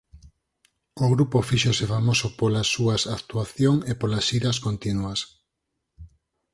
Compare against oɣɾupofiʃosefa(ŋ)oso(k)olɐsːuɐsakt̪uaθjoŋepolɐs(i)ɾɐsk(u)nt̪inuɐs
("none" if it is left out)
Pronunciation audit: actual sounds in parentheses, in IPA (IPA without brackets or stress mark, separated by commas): m, p, i, o